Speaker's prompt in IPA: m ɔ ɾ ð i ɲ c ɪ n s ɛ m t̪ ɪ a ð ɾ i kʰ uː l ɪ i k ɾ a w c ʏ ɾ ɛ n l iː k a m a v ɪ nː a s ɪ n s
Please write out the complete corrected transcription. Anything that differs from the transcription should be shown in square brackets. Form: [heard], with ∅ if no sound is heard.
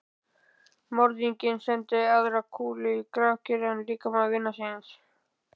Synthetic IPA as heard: m ɔ ɾ ð i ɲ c ɪ n s ɛ [n] t̪ ɪ a ð ɾ [a] kʰ uː l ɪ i k ɾ a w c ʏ ɾ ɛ n l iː k a m a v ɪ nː a s ɪ n s